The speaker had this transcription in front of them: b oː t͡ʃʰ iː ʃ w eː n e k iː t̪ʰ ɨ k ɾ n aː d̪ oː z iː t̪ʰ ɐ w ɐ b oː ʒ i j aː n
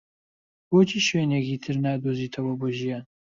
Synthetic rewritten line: b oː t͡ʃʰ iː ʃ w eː n e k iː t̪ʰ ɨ ɾ n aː d̪ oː z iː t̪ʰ ɐ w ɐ b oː ʒ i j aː n